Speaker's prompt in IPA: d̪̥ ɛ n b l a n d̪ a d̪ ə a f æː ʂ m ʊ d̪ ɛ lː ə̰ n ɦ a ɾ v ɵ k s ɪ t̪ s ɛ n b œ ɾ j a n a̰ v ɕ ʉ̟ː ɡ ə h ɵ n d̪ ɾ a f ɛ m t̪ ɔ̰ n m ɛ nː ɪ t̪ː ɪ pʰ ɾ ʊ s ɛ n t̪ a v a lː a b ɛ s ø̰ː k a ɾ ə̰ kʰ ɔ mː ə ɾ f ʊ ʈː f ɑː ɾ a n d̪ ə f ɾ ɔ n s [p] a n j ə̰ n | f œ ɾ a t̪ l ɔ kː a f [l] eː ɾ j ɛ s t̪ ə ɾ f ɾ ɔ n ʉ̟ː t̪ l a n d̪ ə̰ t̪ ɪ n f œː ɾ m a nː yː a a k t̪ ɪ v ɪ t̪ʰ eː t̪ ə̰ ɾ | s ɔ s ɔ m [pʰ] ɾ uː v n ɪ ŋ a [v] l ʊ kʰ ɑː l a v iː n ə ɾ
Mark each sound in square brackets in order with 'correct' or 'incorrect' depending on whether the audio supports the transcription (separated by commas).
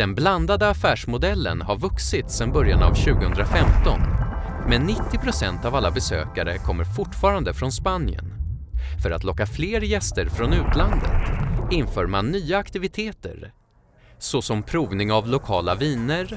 correct, correct, correct, correct